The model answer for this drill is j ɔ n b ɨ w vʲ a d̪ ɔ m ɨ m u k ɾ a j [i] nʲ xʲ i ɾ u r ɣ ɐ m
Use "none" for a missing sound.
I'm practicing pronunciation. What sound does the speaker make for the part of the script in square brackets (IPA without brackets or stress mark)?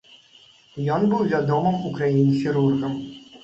i